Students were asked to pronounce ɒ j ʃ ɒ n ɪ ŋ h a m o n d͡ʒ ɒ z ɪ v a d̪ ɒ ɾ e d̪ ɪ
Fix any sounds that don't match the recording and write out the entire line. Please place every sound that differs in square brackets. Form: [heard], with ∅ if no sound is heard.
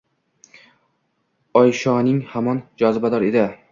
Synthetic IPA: ɒ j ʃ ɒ n ɪ ŋ h a m [ɒ] n d͡ʒ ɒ z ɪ [b] a d̪ ɒ ɾ e d̪ ɪ